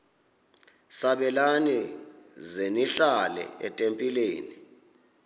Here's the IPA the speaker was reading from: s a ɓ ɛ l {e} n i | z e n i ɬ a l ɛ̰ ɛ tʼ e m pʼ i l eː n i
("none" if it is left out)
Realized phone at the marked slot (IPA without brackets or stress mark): a